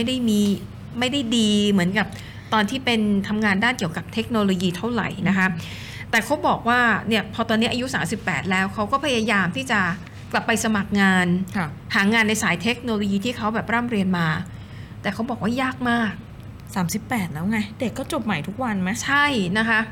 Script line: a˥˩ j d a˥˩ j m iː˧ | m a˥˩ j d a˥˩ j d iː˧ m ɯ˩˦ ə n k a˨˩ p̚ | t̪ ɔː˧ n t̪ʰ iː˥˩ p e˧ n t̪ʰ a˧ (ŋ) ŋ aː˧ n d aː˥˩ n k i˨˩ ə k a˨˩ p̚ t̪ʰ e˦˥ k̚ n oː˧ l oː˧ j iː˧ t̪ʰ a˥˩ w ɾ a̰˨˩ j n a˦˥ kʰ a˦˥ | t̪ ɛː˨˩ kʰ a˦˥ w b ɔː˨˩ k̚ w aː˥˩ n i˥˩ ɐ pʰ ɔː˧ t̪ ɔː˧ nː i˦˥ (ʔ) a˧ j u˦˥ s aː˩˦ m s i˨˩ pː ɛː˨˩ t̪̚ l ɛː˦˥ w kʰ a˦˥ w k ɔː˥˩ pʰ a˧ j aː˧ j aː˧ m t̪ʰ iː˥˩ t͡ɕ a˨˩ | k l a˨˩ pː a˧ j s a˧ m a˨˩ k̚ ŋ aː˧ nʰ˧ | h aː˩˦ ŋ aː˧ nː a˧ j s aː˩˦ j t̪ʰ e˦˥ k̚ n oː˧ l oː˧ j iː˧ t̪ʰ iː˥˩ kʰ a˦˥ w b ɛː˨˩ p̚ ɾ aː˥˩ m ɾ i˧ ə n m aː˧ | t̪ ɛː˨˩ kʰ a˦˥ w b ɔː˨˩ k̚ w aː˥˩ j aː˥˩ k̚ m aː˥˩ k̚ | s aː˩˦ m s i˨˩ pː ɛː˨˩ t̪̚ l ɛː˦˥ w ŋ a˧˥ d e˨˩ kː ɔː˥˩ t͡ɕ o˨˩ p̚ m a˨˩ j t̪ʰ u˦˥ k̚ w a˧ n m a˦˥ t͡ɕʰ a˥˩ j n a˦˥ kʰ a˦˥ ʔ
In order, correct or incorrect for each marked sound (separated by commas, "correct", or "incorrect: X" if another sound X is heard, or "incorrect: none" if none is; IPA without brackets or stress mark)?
incorrect: m, correct